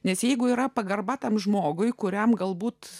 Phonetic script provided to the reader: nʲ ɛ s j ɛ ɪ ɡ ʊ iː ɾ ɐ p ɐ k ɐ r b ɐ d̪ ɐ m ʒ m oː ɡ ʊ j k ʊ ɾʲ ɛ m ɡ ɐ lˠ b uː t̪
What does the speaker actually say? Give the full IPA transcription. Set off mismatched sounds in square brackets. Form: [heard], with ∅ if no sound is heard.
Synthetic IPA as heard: nʲ ɛ s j ɛ ɪ ɡ ʊ iː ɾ ɐ p ɐ [ɡ] ɐ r b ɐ [t̪] ɐ m ʒ m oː ɡ ʊ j k ʊ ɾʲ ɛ m ɡ ɐ lˠ b uː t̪